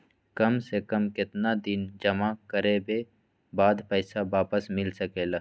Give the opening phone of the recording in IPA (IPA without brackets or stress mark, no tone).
k